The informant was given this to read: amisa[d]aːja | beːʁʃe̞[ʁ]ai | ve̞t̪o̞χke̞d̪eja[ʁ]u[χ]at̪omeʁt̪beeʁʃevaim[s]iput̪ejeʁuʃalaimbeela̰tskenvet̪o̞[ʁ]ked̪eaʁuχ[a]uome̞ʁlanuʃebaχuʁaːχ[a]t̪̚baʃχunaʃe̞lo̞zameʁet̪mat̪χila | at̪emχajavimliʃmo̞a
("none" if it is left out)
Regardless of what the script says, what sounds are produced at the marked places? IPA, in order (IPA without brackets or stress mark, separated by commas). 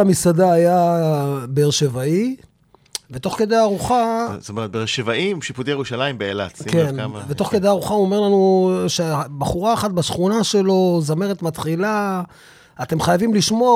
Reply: d, v, ʁ, χ, ʃ, χ, a, a